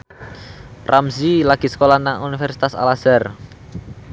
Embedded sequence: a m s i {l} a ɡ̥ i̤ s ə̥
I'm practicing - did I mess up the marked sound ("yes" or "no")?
no